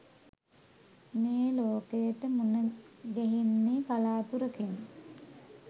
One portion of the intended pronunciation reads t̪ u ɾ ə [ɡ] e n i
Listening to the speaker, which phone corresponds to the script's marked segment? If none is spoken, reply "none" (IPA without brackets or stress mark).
k